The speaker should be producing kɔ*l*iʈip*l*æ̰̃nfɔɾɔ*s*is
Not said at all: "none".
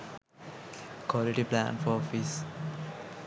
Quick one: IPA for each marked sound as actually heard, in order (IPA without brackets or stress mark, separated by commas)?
l, l, f